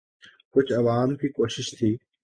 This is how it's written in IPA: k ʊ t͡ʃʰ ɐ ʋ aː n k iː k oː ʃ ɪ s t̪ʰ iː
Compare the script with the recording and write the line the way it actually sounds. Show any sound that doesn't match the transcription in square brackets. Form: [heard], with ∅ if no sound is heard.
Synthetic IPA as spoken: k ʊ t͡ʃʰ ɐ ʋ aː [m] k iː k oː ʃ ɪ [ʃ] t̪ʰ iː